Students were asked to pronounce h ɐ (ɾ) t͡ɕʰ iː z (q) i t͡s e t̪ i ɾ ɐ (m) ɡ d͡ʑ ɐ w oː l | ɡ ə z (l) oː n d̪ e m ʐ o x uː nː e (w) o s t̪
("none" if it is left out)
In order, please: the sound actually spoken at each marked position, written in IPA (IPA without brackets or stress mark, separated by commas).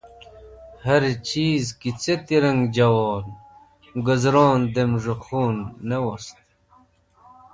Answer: ɾ, k, ŋ, ɾ, w